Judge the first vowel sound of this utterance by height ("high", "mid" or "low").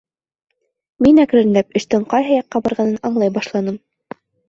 high